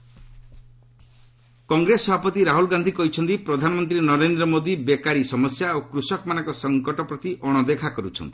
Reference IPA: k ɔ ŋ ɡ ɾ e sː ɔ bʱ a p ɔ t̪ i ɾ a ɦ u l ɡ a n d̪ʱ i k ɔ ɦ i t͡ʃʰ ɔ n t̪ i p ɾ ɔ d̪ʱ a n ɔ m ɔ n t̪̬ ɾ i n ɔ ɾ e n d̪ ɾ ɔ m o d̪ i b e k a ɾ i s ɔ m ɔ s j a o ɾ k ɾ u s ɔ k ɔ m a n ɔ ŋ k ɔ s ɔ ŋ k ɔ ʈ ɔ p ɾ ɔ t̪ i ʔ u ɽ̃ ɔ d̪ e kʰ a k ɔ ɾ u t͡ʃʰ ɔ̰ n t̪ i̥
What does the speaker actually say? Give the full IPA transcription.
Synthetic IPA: k ɔ ŋ ɡ ɾ e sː ɔ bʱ a p ɔ t̪ i ɾ a ɦ u l ɡ a n d̪ʱ i k ɔ ɦ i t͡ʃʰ ɔ n t̪ i p ɾ ɔ d̪ʱ a n ɔ m ɔ n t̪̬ ɾ i n ɔ ɾ e n d̪ ɾ ɔ m o d̪ i b e k a ɾ i s ɔ m ɔ s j a o k ɾ u s ɔ k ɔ m a n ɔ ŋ k ɔ s ɔ ŋ k ɔ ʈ ɔ p ɾ ɔ t̪ i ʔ ɔ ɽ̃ ɔ d̪ e kʰ a k ɔ ɾ u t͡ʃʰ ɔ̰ n t̪ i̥